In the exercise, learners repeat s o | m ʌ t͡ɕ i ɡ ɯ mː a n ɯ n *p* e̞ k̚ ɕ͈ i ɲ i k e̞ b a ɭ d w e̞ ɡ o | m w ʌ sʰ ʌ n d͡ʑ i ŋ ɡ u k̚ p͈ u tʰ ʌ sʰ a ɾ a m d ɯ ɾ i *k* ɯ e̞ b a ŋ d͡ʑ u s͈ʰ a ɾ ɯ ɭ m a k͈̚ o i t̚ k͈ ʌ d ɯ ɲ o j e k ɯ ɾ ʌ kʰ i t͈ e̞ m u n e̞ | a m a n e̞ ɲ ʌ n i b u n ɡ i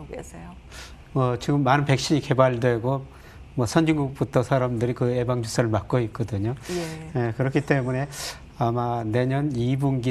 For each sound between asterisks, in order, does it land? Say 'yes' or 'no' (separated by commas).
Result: yes, yes